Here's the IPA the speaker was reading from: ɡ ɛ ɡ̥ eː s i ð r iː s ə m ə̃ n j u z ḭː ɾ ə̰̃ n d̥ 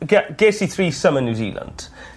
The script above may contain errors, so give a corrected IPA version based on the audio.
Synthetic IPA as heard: ɡ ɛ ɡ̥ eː s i θ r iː s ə m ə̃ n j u z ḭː l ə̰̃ n d̥